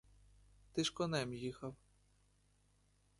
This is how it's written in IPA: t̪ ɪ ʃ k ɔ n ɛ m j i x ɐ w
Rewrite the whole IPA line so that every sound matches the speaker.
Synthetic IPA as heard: t̪ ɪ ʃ k ɔ n ɛ m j i x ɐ w